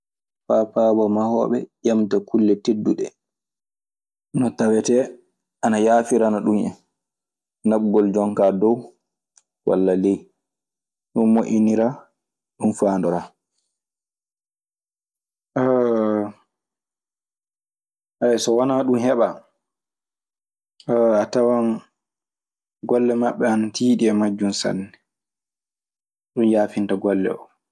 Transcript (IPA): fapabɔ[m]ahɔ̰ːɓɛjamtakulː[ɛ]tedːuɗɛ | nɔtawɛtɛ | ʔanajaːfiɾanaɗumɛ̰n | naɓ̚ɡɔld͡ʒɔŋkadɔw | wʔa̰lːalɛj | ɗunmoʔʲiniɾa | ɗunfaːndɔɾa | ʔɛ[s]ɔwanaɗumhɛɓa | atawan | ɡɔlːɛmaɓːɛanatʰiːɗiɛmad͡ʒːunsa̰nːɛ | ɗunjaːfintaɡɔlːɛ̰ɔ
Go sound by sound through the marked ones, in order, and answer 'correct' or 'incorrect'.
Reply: correct, correct, correct

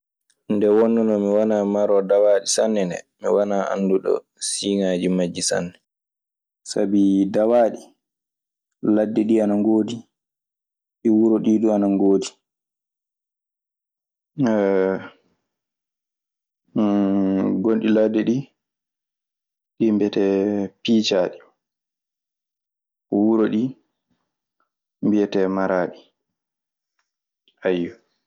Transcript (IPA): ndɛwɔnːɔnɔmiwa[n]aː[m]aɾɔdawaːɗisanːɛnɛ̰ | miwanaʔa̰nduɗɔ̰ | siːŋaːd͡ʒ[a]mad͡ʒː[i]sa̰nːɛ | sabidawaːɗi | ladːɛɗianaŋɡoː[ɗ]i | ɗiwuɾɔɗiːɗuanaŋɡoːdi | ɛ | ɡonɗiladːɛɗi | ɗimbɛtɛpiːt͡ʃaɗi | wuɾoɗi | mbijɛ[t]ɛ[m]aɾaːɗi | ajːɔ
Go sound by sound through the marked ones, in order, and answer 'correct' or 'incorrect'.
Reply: correct, correct, incorrect, correct, incorrect, correct, correct

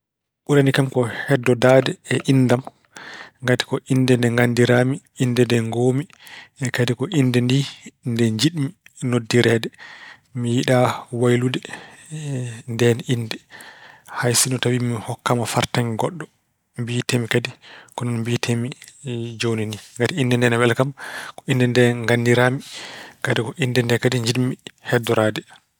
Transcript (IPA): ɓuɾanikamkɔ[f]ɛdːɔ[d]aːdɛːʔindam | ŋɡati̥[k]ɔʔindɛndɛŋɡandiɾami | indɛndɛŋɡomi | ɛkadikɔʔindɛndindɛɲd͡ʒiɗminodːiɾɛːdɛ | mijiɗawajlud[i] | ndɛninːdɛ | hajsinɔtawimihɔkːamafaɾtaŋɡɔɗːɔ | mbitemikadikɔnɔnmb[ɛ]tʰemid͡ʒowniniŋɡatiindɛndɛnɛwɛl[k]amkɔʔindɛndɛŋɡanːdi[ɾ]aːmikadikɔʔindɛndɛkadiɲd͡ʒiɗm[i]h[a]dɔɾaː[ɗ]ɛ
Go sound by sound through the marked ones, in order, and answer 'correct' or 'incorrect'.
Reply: incorrect, correct, correct, incorrect, incorrect, correct, correct, correct, incorrect, incorrect

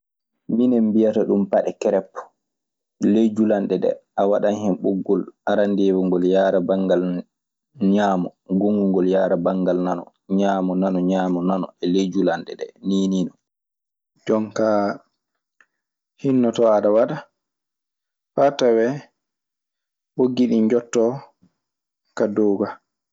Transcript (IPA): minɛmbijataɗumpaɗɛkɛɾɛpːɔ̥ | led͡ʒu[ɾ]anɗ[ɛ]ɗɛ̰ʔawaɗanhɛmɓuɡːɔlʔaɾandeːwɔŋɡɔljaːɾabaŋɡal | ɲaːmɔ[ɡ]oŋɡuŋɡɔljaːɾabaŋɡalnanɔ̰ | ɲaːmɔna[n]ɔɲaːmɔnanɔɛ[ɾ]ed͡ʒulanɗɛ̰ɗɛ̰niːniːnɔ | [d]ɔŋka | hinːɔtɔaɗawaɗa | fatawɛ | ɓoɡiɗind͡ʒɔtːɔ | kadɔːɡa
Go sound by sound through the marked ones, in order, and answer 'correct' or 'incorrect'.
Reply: incorrect, correct, correct, correct, incorrect, incorrect

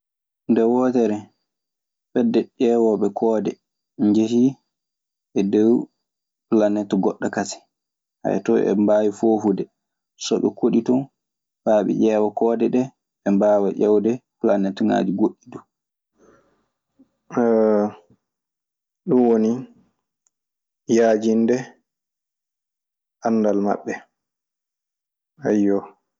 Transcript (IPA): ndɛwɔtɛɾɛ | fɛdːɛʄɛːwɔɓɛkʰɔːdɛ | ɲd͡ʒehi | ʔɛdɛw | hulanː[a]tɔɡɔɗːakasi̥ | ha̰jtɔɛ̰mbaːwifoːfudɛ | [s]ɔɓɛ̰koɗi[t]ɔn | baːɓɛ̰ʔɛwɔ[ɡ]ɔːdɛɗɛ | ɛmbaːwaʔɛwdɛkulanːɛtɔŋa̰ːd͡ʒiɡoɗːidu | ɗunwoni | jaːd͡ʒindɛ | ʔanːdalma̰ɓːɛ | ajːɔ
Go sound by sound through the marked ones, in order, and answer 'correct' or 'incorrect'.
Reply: incorrect, correct, correct, incorrect

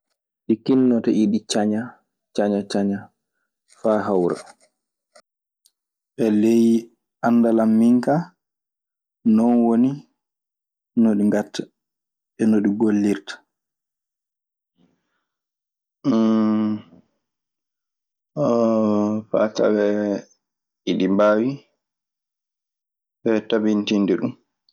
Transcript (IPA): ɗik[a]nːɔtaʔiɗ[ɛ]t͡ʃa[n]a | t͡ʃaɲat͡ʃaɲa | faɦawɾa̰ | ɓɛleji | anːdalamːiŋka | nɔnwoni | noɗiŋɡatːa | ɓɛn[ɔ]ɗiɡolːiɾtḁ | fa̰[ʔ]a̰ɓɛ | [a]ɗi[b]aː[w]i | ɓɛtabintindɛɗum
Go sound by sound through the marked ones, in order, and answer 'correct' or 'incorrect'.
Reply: incorrect, incorrect, incorrect, incorrect, incorrect, incorrect, correct, correct

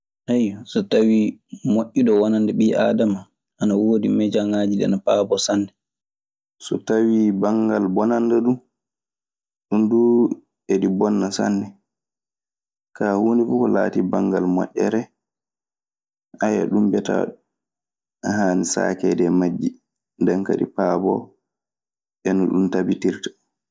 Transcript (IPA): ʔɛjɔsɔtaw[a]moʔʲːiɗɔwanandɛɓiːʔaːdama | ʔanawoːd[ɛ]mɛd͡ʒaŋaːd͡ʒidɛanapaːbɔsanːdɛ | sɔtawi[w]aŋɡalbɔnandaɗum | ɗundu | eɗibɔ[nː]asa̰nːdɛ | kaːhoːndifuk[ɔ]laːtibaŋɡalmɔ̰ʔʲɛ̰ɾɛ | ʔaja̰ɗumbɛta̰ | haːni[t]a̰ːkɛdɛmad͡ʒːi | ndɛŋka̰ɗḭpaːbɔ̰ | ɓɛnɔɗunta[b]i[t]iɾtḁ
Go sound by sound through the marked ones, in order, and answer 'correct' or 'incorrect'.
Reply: incorrect, incorrect, incorrect, correct, correct, incorrect, correct, correct

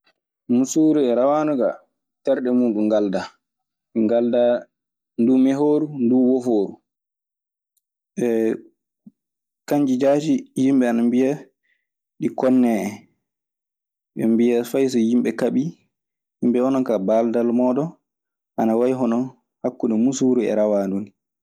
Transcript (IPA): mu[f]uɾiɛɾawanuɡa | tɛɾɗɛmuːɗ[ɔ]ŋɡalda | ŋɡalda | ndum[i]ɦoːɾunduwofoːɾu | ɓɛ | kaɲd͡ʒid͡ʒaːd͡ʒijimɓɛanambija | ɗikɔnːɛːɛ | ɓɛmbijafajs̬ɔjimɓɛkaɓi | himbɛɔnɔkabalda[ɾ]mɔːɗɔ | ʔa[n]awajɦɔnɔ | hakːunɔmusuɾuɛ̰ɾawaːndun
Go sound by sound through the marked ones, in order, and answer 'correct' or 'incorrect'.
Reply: incorrect, incorrect, incorrect, incorrect, correct

